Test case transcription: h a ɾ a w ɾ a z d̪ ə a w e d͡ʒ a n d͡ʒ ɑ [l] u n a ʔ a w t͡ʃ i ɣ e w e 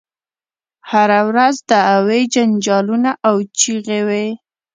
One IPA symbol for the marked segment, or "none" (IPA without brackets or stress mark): l